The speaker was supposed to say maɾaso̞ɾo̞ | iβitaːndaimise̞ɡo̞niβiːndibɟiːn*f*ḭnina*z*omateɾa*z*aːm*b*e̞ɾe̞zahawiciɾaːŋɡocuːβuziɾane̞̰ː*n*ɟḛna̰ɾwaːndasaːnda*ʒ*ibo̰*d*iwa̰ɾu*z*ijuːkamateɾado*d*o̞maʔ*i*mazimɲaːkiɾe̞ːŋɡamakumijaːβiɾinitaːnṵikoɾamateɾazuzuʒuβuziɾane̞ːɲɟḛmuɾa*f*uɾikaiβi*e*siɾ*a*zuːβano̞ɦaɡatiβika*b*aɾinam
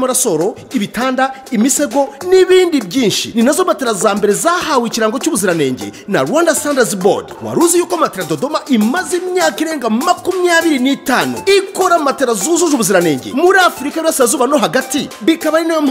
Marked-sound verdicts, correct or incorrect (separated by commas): incorrect, correct, correct, correct, incorrect, incorrect, correct, correct, correct, correct, correct, incorrect, correct, incorrect